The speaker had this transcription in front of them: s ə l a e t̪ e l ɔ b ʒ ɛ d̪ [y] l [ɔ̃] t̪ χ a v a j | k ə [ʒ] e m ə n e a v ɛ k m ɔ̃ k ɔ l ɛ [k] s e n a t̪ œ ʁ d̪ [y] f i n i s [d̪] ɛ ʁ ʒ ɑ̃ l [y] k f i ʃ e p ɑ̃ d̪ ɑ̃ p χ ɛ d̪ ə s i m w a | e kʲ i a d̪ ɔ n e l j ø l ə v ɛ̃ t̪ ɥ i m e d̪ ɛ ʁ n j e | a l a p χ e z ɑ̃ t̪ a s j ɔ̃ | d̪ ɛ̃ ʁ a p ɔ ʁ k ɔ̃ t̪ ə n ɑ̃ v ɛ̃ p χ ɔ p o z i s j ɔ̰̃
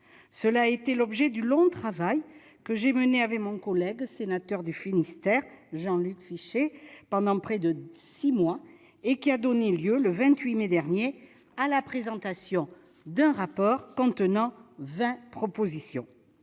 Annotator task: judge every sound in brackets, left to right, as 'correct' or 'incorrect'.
correct, correct, correct, incorrect, correct, incorrect, correct

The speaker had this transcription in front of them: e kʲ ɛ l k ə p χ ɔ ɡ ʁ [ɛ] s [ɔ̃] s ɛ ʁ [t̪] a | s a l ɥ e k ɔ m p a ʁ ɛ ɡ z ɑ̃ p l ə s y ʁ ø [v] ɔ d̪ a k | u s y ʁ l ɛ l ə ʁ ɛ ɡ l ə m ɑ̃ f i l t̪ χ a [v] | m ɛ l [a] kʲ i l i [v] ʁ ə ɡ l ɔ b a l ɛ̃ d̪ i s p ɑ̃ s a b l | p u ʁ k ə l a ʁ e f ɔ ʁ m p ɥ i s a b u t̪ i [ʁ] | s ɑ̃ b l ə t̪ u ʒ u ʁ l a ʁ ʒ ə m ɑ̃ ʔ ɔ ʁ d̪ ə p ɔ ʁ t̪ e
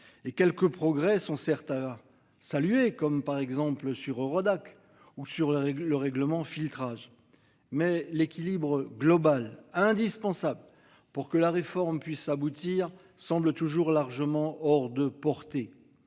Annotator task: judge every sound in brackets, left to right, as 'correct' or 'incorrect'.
correct, correct, correct, incorrect, incorrect, incorrect, incorrect, correct

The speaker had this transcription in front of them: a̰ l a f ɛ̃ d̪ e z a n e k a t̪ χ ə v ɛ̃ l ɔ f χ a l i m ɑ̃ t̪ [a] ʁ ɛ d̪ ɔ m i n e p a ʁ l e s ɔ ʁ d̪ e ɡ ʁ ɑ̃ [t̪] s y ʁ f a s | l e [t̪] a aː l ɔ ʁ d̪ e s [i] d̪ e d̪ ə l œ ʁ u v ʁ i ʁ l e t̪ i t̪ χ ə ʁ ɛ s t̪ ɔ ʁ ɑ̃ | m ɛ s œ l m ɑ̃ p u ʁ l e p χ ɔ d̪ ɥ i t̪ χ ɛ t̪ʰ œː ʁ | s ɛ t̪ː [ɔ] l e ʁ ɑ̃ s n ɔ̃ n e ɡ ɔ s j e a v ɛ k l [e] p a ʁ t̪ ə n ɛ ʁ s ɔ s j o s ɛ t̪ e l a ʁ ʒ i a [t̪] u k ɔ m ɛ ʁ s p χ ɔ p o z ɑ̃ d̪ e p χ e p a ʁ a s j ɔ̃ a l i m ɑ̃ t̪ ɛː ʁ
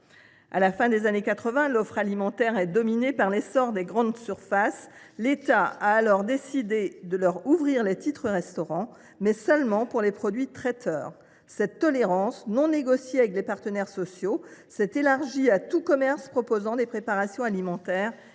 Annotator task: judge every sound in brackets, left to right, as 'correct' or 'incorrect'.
incorrect, incorrect, correct, correct, correct, correct, correct

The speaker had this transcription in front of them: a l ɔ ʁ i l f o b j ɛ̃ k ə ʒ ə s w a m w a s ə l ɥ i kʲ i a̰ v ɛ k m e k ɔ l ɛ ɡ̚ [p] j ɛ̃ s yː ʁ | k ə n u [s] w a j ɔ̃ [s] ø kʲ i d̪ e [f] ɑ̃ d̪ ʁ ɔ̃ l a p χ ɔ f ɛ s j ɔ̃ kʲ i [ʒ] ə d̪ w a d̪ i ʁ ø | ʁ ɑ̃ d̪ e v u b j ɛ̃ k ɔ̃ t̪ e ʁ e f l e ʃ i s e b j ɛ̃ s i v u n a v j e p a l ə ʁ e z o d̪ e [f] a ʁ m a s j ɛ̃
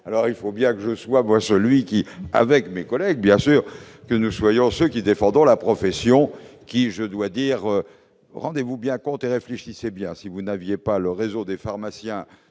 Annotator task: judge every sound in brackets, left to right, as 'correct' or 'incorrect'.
incorrect, correct, correct, correct, correct, correct

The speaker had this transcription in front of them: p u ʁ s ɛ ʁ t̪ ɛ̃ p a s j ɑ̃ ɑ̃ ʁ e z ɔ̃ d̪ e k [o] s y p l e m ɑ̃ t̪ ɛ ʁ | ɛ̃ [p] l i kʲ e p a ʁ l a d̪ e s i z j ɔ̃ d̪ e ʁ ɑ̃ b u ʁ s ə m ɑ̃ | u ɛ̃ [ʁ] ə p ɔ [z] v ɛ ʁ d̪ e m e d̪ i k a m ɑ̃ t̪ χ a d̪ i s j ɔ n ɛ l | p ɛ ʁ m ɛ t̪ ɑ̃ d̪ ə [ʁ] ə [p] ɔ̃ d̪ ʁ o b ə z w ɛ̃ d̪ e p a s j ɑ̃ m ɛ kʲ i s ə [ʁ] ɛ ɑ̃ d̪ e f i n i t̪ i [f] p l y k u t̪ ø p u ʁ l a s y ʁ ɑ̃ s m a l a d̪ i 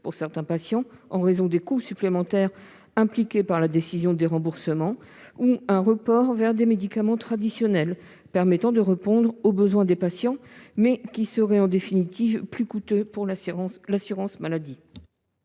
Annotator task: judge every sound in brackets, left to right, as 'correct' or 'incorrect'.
incorrect, correct, correct, incorrect, correct, correct, correct, incorrect

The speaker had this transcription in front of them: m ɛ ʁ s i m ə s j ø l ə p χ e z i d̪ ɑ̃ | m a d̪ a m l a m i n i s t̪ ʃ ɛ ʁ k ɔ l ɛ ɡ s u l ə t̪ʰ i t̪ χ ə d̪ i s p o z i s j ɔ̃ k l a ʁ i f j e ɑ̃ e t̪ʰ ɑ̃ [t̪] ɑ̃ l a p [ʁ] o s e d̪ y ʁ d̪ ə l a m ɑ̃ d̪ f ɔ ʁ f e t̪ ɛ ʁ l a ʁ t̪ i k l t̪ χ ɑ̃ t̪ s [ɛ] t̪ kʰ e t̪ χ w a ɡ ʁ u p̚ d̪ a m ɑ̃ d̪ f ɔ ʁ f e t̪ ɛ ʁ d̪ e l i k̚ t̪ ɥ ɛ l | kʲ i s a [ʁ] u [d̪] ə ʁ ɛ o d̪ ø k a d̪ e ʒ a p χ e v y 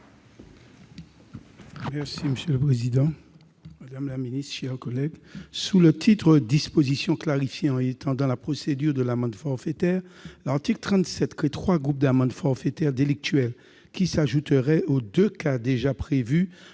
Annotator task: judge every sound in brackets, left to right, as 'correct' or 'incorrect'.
incorrect, incorrect, correct, incorrect, incorrect

